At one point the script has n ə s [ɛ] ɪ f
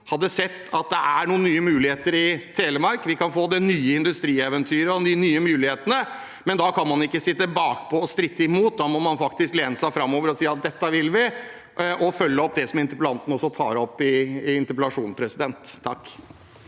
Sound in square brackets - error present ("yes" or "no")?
yes